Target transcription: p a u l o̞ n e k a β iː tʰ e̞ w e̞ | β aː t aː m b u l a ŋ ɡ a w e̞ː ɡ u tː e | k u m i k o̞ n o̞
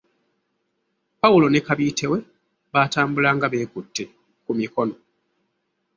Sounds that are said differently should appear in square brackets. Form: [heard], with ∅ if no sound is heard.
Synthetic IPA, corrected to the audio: p a u l o̞ n e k a β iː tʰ e̞ w e̞ | β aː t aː m b u l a ŋ ɡ a [β] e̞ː [k] u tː e | k u m i k o̞ n o̞